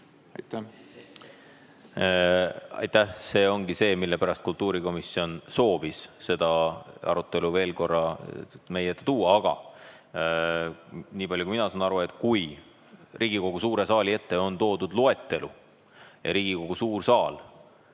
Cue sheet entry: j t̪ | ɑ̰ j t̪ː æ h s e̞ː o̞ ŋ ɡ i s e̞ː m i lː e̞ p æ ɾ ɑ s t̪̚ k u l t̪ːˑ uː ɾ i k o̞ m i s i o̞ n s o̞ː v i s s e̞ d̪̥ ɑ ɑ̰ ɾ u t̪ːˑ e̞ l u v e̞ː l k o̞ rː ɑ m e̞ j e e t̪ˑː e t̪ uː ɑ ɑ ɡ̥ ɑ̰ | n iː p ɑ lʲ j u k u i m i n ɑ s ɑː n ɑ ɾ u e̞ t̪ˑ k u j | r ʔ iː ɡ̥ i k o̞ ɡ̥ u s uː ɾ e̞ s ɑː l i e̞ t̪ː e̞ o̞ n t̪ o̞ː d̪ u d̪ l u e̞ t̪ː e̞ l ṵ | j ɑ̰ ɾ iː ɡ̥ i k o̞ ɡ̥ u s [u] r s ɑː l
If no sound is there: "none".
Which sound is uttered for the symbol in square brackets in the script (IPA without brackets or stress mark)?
uː